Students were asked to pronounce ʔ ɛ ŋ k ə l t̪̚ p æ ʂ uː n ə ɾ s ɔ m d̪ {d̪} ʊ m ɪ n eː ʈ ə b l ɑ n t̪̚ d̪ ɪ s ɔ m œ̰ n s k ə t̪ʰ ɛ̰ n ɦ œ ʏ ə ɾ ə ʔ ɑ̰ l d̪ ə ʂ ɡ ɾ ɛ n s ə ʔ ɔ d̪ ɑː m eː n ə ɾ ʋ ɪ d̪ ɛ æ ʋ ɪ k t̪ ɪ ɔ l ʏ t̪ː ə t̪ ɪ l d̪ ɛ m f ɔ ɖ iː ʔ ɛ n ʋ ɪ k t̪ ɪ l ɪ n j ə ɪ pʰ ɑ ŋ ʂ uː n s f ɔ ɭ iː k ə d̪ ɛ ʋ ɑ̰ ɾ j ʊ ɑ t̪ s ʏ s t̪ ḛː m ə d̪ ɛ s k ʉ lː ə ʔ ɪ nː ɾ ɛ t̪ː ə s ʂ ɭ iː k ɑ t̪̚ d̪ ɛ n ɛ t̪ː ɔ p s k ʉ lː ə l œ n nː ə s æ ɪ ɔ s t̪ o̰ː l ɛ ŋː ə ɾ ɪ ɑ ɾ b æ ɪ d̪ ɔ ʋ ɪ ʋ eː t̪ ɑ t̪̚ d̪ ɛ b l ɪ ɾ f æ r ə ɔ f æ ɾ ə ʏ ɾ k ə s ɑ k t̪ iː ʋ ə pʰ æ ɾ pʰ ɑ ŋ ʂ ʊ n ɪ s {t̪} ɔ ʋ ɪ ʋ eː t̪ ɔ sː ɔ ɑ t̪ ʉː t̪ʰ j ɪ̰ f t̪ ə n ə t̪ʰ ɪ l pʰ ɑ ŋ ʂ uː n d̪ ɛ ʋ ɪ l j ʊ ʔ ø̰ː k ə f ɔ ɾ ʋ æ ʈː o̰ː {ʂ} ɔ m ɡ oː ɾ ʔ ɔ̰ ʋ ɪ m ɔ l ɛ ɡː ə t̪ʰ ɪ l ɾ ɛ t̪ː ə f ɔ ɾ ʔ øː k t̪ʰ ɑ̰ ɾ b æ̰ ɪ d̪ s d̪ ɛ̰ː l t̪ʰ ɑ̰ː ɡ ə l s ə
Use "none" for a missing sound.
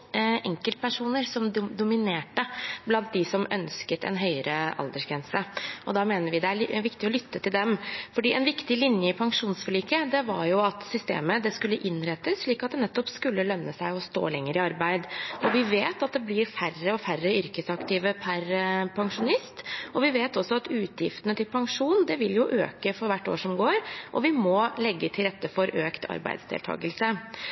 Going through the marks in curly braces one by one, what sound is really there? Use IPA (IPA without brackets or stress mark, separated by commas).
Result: d̪, t̪, ʂ